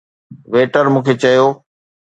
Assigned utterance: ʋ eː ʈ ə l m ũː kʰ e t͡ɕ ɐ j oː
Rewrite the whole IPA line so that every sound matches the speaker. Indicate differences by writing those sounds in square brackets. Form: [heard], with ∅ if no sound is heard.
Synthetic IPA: ʋ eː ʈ ə [ɾ] m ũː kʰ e t͡ɕ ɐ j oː